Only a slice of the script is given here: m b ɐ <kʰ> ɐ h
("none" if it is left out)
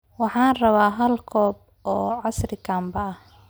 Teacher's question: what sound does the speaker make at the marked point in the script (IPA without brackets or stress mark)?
none